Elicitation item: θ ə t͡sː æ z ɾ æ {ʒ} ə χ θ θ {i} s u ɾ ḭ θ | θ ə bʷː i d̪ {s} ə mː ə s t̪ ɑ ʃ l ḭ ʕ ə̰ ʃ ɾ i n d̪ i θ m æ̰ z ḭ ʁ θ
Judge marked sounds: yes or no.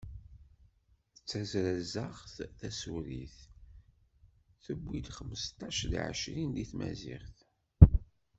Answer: no, no, no

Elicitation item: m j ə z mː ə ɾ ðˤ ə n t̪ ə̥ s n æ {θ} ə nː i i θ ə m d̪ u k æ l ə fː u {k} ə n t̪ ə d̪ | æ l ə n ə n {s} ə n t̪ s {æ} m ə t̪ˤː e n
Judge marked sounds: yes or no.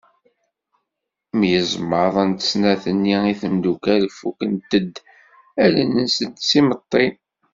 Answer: yes, yes, yes, no

